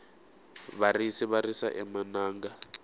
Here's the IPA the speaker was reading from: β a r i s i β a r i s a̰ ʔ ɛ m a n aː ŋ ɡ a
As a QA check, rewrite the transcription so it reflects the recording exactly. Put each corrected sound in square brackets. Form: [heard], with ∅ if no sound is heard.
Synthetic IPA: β a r i s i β a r i s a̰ ʔ ɛ m a n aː ŋ ɡ a